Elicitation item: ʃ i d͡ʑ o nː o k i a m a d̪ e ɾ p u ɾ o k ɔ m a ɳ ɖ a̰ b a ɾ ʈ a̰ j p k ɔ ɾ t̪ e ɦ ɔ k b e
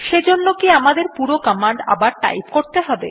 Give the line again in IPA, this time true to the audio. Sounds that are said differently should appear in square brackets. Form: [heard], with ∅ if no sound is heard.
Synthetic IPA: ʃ [e] d͡ʑ o nː o k i a m a d̪ e ɾ p u ɾ o k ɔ m a ɳ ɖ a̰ b a ɾ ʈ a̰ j p k [o] ɾ t̪ e ɦ ɔ [∅] b e